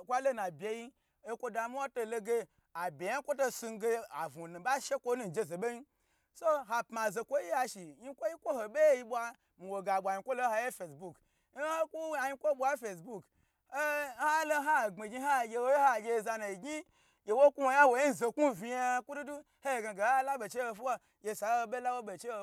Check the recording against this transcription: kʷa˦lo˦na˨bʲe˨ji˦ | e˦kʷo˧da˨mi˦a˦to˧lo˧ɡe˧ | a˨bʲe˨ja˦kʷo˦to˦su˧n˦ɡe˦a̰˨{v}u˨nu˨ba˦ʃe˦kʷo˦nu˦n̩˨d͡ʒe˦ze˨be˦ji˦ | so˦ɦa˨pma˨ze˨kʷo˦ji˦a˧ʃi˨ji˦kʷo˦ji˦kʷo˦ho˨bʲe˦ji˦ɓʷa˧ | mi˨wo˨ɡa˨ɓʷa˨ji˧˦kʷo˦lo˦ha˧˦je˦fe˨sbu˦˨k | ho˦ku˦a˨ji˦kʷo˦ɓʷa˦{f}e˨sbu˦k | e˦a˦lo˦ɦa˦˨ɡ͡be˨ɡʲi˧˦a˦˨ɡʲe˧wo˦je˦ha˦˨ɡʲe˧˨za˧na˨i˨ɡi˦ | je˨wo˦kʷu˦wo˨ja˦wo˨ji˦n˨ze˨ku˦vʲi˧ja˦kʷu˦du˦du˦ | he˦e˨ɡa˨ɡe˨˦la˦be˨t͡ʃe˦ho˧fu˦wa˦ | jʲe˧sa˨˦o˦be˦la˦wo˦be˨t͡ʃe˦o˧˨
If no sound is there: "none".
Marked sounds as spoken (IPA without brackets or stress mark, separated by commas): v, f